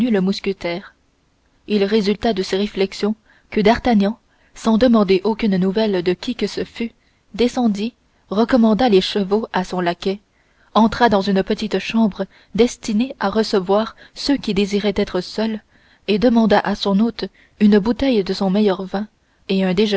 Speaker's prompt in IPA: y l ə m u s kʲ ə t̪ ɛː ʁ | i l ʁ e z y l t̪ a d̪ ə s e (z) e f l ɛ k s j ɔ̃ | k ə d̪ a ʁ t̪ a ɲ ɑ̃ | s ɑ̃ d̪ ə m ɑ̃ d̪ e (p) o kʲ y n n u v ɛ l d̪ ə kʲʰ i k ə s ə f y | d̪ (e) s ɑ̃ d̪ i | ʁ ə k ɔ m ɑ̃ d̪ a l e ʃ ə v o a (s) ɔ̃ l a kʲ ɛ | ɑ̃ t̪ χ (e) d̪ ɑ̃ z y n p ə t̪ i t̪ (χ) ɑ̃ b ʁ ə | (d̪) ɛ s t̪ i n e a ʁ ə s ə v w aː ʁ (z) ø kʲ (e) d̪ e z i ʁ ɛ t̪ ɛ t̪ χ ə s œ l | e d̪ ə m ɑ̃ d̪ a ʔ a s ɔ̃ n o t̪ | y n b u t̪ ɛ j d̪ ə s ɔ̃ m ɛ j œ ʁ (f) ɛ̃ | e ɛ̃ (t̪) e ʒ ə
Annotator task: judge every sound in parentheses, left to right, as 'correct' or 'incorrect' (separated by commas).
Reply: incorrect, incorrect, correct, correct, incorrect, incorrect, correct, incorrect, incorrect, incorrect, incorrect